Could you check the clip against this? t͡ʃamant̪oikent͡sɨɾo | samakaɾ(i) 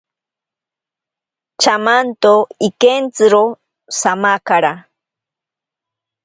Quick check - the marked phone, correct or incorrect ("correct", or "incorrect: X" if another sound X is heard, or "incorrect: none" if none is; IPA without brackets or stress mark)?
incorrect: a